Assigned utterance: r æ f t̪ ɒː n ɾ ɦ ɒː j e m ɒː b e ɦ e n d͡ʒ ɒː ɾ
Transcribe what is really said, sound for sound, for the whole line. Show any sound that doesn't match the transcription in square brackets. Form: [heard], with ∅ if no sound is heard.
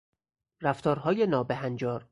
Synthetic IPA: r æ f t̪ ɒː [∅] ɾ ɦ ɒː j e [n] ɒː b e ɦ [æ] n d͡ʒ ɒː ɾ